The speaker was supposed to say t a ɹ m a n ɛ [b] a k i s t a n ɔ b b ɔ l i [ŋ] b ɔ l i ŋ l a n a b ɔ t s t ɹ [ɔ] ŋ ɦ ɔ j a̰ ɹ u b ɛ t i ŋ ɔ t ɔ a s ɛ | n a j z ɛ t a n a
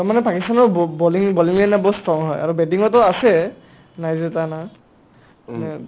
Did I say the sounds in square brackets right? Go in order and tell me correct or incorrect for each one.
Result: incorrect, correct, correct

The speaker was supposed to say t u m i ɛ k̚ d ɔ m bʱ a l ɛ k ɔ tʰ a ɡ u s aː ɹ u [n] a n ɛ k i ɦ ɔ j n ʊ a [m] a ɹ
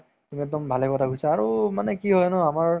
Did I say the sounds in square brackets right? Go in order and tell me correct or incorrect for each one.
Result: incorrect, correct

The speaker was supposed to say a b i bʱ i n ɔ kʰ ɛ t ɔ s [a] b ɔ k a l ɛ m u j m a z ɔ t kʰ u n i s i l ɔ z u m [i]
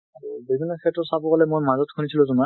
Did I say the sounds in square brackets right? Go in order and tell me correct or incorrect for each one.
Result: correct, incorrect

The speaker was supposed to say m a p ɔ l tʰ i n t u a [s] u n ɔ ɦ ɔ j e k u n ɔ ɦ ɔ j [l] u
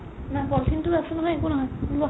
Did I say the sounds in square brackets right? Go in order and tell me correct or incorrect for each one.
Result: correct, correct

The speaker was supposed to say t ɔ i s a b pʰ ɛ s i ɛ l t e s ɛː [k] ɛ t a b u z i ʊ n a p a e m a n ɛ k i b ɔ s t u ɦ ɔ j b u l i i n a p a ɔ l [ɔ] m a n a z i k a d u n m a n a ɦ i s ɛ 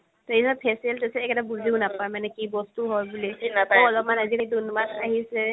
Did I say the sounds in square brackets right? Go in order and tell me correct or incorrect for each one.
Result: correct, correct

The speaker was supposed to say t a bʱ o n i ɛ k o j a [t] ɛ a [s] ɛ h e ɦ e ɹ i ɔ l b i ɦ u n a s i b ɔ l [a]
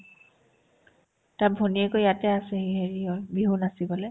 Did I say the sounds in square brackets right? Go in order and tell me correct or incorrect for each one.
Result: correct, correct, incorrect

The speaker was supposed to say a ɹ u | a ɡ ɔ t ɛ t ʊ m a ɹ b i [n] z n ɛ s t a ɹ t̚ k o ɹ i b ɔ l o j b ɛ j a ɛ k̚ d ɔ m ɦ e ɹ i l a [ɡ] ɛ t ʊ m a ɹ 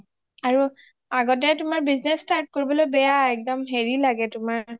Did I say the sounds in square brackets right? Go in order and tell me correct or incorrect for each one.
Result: incorrect, correct

